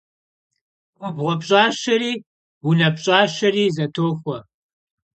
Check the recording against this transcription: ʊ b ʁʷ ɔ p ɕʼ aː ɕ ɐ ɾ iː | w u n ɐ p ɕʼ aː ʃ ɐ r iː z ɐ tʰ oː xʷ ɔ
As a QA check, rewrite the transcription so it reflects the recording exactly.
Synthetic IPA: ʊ b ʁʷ ɔ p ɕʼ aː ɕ ɐ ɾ iː | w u n ɐ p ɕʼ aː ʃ ɐ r iː z ɐ tʰ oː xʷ ɔ